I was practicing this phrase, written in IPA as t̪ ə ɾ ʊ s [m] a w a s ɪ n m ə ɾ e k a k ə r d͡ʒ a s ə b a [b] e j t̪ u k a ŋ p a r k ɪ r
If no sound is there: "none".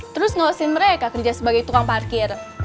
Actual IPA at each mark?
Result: ŋ, ɡ

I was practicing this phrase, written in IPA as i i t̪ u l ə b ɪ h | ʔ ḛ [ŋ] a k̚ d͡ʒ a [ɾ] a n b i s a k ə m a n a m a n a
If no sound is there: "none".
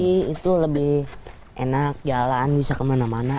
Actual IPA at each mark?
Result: n, l

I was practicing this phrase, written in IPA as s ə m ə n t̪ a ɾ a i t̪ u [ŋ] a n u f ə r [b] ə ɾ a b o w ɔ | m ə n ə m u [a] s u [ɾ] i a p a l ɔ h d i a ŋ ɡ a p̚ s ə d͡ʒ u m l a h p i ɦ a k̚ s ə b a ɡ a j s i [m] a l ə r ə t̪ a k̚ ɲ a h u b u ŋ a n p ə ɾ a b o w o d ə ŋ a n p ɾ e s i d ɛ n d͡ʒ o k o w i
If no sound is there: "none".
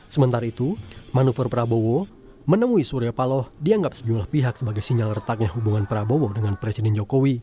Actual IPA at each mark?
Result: m, p, i, ɾ, ɲ

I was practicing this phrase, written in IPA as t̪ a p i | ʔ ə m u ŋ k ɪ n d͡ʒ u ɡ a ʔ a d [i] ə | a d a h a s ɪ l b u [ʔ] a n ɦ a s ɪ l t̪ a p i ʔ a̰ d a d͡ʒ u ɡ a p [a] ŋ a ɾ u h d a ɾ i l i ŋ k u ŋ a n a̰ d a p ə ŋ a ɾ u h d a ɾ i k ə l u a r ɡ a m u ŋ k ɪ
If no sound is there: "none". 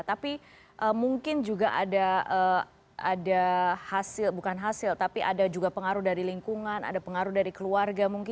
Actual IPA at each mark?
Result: a, k, ə

